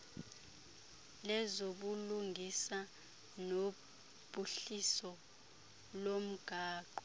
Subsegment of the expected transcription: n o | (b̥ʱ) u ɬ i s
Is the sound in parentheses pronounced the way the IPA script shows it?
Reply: yes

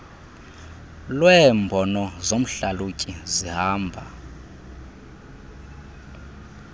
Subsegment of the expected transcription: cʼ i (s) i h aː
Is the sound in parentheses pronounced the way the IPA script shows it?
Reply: no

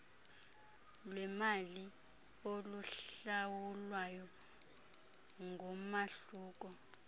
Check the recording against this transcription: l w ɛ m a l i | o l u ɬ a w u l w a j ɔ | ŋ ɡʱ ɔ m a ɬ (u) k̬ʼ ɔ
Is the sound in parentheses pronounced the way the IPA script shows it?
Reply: no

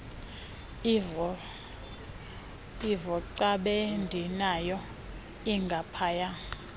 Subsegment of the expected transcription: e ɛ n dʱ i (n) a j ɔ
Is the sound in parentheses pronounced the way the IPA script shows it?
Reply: yes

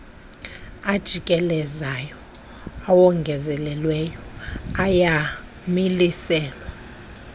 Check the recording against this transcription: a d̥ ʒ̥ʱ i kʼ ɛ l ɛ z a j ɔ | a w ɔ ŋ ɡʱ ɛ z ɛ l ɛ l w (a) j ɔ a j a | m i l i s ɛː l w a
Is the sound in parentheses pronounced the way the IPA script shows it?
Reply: no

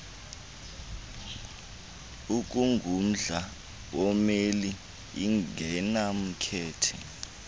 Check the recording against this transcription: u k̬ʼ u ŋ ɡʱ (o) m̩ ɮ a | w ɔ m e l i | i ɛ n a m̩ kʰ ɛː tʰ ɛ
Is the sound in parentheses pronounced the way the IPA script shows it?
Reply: no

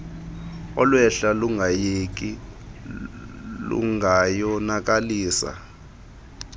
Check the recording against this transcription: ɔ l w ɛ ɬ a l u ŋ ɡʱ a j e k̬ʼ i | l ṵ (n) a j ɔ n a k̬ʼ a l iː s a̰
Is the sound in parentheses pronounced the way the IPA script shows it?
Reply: no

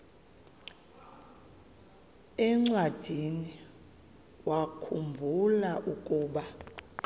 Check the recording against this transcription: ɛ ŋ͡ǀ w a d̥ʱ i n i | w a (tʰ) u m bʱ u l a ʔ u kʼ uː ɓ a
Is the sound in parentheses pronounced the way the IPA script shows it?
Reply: no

